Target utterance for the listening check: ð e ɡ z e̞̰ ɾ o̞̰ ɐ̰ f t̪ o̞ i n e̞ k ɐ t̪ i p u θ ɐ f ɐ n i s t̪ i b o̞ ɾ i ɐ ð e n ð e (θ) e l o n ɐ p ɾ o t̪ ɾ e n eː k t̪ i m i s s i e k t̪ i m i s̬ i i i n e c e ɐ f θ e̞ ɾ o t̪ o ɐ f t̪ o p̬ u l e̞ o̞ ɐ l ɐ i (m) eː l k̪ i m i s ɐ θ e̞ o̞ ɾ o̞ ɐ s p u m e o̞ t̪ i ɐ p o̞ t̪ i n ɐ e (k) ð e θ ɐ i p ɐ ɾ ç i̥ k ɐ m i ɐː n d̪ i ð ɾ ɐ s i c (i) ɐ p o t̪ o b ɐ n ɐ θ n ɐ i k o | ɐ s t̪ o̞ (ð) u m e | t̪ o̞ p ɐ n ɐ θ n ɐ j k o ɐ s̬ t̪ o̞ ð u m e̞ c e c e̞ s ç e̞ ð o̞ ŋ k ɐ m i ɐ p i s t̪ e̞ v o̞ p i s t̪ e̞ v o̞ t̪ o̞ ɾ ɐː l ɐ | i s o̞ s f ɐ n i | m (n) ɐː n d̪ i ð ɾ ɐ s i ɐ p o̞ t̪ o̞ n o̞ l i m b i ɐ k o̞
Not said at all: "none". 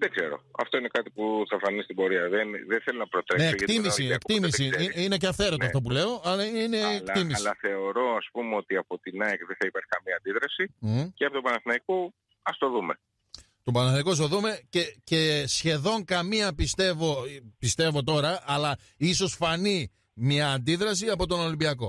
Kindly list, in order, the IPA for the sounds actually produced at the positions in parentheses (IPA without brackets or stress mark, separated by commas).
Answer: θ, n, k, e, ð, ɲ